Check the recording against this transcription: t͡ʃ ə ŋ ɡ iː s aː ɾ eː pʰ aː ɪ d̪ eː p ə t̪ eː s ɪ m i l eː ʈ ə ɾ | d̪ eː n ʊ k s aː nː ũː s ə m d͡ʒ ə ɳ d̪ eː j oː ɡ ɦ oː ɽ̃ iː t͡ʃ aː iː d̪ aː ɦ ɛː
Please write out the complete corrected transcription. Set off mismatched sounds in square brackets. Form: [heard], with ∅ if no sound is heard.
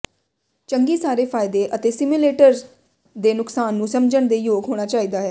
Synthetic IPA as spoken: t͡ʃ ə ŋ ɡ iː s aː ɾ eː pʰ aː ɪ d̪ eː [ʔ] ə t̪ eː s ɪ m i l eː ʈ ə ɾ | d̪ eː n ʊ k s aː nː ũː s ə m d͡ʒ ə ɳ d̪ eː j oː ɡ ɦ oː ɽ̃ [aː] t͡ʃ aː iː d̪ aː ɦ ɛː